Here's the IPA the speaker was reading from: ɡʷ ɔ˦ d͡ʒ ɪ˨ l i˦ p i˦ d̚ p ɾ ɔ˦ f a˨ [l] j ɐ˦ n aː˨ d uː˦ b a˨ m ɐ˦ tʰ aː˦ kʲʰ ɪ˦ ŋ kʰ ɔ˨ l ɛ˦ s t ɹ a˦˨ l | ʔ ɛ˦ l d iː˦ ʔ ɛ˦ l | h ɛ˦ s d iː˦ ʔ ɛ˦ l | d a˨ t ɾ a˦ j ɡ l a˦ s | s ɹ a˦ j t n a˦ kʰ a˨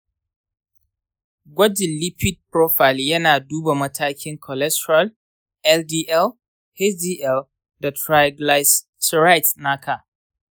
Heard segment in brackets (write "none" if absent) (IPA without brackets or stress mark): l